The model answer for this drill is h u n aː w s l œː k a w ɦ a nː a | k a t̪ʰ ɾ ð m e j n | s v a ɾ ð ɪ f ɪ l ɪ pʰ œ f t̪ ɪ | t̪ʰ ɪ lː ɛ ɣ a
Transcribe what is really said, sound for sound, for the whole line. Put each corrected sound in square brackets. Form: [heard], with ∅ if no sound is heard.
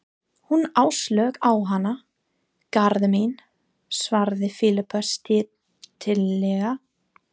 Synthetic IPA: h u n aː w s l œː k a w ɦ a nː a | k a [∅] ɾ ð m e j n | s v a ɾ ð ɪ f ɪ l ɪ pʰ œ [s] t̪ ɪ | t̪ʰ ɪ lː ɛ ɣ a